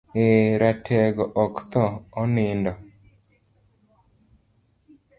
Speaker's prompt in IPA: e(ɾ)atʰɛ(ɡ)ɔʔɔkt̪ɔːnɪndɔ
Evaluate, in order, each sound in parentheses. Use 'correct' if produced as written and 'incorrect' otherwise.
correct, correct

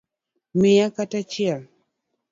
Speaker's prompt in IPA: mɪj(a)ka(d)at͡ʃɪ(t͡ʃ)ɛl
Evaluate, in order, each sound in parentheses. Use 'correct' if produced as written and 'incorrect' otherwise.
correct, incorrect: t, incorrect: none

